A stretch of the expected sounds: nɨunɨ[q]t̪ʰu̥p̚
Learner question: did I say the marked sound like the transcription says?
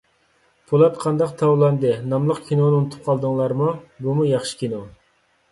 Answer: no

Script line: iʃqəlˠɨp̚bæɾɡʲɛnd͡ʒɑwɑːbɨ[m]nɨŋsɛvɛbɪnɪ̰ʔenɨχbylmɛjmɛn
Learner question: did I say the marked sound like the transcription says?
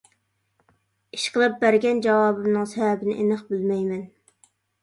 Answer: yes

